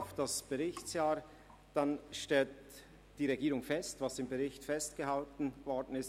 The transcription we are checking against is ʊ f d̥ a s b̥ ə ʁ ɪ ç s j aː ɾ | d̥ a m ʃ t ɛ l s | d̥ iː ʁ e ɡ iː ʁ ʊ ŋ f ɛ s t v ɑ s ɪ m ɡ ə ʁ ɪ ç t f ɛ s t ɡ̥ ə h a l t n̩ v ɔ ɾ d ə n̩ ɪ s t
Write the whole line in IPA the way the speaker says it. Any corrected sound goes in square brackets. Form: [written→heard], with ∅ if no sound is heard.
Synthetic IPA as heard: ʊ f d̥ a s b̥ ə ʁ ɪ ç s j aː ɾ | d̥ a [m→n] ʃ t ɛ l [s→t] | d̥ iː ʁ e ɡ iː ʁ ʊ ŋ f ɛ s t v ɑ s ɪ m [ɡ→b] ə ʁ ɪ ç t f ɛ s t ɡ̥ ə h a l t n̩ v ɔ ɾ d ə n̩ ɪ s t